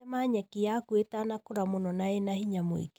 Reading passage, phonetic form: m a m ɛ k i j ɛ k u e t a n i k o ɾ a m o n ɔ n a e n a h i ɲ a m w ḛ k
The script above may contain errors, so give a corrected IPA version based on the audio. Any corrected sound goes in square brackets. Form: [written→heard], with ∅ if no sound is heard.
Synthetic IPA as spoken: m a [m→ɲ] ɛ k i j [ɛ→a] k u e t a n [i→a] k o ɾ a m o n ɔ n a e n a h i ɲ a m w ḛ k